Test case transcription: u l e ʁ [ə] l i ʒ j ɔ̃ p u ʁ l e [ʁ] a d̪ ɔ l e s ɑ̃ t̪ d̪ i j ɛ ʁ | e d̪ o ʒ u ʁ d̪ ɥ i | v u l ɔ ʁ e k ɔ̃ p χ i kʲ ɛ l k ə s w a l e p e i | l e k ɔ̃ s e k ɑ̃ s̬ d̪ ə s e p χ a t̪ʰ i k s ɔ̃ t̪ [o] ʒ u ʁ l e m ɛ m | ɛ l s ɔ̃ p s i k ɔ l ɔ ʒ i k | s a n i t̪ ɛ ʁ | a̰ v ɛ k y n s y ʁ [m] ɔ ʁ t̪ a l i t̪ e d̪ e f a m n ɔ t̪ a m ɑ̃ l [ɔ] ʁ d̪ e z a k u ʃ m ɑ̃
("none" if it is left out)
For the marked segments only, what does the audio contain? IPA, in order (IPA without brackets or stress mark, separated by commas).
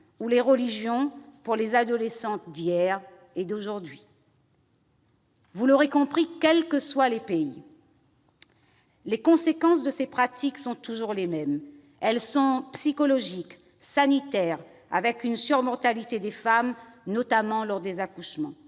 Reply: ə, z, u, m, ɔ